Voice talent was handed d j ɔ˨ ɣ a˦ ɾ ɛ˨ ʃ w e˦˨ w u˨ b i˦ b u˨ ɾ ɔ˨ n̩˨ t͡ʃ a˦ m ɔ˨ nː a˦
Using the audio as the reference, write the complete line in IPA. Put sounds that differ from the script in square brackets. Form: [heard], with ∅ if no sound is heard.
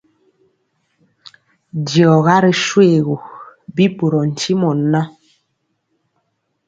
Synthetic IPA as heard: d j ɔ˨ ɣ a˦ ɾ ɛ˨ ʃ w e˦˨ [ɣ] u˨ b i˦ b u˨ ɾ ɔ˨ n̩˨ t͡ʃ [i˦] m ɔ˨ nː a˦